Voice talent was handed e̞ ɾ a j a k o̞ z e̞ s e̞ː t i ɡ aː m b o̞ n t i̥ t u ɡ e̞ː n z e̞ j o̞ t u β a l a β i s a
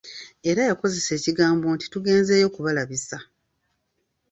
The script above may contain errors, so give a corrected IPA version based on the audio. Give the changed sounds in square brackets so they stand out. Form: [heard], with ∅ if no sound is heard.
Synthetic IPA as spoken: e̞ ɾ a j a k o̞ z e̞ s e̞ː [c] i ɡ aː m b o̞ n t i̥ t u ɡ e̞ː n z e̞ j o̞ [k] u β a l a β i s a